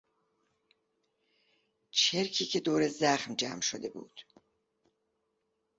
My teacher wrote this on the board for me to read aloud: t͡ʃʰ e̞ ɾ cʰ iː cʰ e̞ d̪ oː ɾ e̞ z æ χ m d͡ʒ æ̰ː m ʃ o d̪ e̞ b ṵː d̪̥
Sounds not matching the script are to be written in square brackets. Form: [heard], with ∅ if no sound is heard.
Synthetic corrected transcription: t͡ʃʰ e̞ ɾ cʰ iː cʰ e̞ d̪ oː ɾ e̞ z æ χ m d͡ʒ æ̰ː m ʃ o d̪ e̞ b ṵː d̪̥